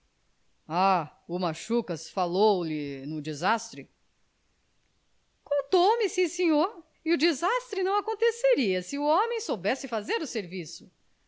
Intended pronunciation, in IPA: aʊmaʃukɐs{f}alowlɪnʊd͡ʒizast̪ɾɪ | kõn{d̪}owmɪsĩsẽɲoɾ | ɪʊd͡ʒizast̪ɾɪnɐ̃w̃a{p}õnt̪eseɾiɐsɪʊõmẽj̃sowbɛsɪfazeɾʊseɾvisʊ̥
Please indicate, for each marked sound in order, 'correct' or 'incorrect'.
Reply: correct, incorrect: t̪, incorrect: k

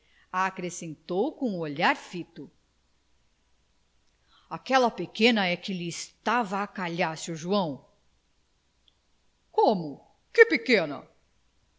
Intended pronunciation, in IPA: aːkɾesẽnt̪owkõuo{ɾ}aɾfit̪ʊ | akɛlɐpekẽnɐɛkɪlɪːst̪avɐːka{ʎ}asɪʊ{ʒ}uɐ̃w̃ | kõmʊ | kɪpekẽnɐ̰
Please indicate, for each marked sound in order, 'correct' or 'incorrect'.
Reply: incorrect: ʎ, correct, correct

